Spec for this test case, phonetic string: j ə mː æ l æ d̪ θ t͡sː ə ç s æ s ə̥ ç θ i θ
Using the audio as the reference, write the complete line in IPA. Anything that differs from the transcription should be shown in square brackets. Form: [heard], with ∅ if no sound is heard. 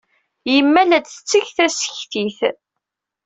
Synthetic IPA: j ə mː æ l æ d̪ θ t͡sː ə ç [θ] æ s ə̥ ç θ i θ